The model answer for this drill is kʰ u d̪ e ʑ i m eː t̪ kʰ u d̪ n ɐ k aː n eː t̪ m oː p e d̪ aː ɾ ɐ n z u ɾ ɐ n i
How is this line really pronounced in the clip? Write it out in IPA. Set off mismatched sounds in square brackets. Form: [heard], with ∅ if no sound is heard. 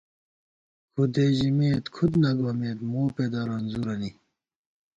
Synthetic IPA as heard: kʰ u d̪ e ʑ i m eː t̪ kʰ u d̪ n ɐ [ɡ] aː [m] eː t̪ m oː p e d̪ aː ɾ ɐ n z u ɾ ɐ n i